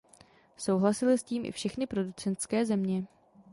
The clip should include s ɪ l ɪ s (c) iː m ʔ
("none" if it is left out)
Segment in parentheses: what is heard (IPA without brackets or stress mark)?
c